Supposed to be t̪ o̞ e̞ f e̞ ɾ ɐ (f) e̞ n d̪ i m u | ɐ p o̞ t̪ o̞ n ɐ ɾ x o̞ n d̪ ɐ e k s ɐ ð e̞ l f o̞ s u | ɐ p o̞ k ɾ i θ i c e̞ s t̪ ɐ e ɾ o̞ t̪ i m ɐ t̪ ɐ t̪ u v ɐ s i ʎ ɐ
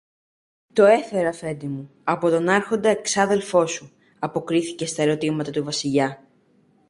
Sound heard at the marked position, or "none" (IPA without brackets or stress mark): f